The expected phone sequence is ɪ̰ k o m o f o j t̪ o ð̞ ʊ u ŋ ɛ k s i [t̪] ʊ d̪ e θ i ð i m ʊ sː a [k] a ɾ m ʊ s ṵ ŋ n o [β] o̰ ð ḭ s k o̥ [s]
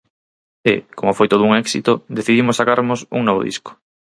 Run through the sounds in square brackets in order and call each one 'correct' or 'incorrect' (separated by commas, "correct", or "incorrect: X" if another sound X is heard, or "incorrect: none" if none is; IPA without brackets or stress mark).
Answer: correct, correct, correct, incorrect: none